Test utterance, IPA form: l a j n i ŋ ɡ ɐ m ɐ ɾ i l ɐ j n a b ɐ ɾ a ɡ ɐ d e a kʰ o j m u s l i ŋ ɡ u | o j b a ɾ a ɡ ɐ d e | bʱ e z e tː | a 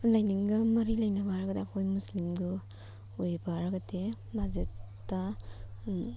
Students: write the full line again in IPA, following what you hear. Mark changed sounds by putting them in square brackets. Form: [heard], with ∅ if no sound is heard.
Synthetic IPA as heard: l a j n i ŋ ɡ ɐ m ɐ ɾ i l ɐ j n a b [a] ɾ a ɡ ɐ d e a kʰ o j m u s l i [m] ɡ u | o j b a ɾ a ɡ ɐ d e | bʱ [a] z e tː | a